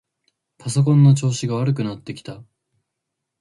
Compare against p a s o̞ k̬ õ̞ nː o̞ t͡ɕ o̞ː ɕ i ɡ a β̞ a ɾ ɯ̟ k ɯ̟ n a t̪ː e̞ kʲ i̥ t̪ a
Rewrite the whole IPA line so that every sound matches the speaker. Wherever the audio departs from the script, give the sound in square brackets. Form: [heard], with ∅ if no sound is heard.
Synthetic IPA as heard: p a s o̞ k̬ õ̞ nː o̞ t͡ɕ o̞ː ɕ i ɡ a β̞ a ɾ ɯ̟ k ɯ̟ n a t̪ː e̞ kʲ i̥ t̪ a